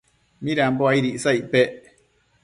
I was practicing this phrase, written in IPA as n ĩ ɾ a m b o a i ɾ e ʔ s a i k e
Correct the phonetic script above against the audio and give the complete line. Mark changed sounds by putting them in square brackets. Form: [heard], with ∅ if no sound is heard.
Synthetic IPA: [m] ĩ ɾ a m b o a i ɾ [i] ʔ s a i [p] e

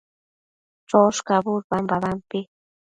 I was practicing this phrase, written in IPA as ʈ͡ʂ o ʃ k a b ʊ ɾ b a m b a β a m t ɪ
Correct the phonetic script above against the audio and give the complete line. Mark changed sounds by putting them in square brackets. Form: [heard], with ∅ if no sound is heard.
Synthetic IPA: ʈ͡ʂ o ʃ k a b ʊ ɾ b a m b a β a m [p] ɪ

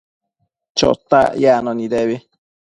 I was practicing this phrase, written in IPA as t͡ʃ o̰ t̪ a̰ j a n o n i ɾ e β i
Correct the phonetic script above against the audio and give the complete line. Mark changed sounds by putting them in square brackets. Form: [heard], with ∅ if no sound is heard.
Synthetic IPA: t͡ʃ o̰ t̪ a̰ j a n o n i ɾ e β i

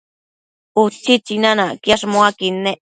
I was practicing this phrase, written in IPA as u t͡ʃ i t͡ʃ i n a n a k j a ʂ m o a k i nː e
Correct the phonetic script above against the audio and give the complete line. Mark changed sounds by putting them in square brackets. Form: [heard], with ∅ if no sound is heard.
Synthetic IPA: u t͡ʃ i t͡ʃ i n a n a k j a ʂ m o a k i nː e

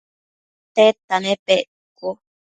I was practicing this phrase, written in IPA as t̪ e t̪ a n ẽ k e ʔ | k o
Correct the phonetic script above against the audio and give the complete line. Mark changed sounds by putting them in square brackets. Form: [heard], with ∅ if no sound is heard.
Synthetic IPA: t̪ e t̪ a n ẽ [p] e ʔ | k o

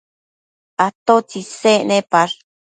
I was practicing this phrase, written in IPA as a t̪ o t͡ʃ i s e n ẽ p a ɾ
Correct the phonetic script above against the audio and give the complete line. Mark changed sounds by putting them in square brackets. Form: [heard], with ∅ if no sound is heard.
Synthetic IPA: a t̪ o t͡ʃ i s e n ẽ p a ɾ

